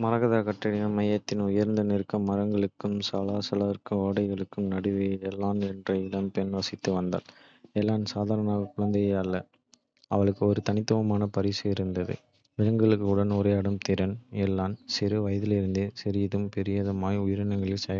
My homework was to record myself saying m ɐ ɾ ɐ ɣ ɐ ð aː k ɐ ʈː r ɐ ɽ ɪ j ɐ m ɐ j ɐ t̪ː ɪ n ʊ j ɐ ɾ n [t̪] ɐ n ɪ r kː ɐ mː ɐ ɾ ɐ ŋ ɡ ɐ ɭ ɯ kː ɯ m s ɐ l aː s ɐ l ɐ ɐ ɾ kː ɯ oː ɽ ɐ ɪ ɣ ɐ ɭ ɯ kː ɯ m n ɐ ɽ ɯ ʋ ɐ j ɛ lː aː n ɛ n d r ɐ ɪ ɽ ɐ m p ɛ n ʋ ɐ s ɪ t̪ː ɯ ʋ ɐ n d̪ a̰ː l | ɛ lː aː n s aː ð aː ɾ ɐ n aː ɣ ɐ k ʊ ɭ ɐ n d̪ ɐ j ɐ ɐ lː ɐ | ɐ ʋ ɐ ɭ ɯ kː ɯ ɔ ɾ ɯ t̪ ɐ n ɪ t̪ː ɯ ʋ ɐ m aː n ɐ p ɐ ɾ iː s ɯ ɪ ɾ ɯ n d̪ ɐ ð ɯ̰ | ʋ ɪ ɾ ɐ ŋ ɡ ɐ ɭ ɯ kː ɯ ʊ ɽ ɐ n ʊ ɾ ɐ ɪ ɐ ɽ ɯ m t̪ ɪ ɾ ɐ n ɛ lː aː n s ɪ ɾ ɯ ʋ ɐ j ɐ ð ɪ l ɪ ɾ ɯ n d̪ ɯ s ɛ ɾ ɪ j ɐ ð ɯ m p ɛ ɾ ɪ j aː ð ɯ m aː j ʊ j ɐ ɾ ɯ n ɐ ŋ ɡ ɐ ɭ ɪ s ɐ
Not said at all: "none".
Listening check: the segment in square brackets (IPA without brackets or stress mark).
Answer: d̪